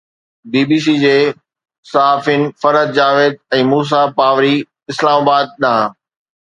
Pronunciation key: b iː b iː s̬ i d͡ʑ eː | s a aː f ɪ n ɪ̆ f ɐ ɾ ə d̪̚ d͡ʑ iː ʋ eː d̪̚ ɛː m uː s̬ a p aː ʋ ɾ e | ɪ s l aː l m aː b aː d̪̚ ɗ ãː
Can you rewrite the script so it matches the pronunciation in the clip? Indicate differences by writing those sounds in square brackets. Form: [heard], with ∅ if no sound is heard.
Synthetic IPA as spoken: b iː b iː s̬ i d͡ʑ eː | s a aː f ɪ n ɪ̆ f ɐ ɾ ə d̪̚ d͡ʑ [aː] ʋ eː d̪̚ [ɛ̃ː] m uː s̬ a p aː ʋ ɾ [i] | ɪ s l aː [∅] m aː b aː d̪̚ ɗ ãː